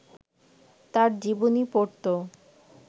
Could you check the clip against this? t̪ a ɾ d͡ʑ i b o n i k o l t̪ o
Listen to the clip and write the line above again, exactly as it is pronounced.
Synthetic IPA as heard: t̪ a ɾ d͡ʑ i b o n i p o ɾ t̪ o